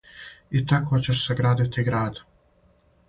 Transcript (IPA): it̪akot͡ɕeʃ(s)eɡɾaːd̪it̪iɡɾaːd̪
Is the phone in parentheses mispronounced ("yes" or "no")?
no